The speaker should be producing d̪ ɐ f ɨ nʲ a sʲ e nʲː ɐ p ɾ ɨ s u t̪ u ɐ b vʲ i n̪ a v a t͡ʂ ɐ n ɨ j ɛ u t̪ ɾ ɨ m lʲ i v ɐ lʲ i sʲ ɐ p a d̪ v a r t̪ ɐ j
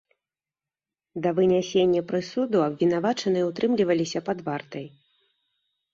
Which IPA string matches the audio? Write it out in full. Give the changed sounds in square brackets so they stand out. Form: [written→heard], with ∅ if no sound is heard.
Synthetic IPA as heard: d̪ ɐ [f→v] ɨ nʲ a sʲ e nʲː ɐ p ɾ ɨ s u [t̪→d̪] u ɐ b vʲ i n̪ a v a t͡ʂ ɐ n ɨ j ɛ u t̪ ɾ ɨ m lʲ i v ɐ lʲ i sʲ ɐ p a d̪ v a r t̪ ɐ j